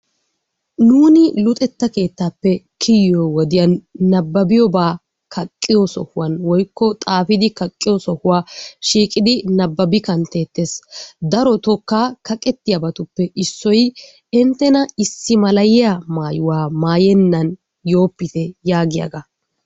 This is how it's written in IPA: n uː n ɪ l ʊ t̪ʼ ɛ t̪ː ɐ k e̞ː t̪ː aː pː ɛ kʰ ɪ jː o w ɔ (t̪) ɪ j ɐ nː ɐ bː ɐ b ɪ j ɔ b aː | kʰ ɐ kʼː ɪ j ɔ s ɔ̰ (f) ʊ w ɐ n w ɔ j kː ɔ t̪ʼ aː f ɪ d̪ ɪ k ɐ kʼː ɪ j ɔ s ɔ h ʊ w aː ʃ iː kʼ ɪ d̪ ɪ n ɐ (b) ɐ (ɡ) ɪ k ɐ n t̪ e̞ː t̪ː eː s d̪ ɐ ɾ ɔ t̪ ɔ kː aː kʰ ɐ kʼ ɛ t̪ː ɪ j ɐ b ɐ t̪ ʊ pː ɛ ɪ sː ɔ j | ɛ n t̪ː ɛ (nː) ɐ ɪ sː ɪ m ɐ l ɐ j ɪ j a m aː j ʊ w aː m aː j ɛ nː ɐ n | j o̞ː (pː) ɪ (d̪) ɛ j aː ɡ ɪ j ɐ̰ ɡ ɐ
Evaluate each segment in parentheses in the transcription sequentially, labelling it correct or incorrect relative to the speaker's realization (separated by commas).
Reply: incorrect, incorrect, incorrect, incorrect, incorrect, correct, incorrect